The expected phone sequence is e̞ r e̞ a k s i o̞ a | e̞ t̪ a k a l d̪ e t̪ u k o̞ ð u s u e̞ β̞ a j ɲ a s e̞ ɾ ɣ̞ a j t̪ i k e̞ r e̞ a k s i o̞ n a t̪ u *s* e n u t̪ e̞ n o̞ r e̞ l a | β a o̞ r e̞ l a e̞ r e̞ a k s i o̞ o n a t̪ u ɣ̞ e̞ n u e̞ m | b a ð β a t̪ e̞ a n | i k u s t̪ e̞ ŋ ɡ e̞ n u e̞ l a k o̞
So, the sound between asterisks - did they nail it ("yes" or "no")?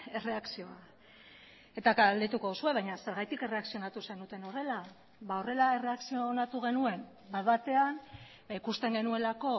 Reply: yes